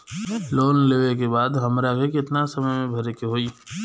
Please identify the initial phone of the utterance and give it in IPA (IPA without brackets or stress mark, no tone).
l